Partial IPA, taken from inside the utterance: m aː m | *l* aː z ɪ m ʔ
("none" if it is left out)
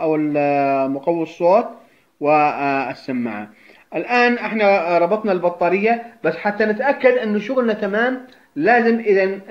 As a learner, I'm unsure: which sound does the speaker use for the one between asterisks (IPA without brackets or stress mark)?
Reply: l